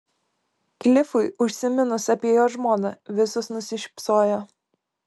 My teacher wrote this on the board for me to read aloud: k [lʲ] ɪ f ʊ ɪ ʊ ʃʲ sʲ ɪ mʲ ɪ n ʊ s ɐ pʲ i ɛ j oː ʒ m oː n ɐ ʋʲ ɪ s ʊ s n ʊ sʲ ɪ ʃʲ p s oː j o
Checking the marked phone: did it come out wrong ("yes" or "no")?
no